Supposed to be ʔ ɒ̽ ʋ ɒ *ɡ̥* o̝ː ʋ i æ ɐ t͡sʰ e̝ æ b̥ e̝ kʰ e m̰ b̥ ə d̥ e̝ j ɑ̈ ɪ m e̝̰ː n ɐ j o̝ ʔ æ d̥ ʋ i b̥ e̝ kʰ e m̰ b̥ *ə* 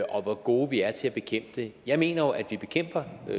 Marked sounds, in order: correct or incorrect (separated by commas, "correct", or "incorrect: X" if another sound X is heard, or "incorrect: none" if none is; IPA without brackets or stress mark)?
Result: correct, incorrect: ɐ